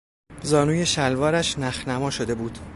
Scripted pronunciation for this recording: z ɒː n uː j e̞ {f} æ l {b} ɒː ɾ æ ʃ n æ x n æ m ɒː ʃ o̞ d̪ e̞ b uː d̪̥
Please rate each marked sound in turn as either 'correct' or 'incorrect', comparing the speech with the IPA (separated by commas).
incorrect, incorrect